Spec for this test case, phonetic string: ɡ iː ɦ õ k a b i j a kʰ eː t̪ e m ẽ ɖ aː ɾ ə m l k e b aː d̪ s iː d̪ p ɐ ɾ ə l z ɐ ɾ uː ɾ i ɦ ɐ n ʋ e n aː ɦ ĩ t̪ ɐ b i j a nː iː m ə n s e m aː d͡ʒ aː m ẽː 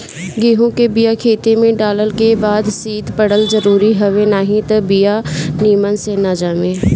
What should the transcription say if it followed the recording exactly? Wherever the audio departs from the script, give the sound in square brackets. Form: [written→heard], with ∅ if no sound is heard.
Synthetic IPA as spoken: ɡ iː ɦ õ k [a→e] b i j a kʰ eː t̪ e m ẽ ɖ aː [ɾ→l] ə [m→∅] l k e b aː d̪ s iː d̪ p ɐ [ɾ→ɽ] ə l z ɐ ɾ uː ɾ i ɦ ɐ [n→∅] ʋ e n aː ɦ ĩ t̪ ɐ b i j a [nː→n] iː m ə n s e [m→n] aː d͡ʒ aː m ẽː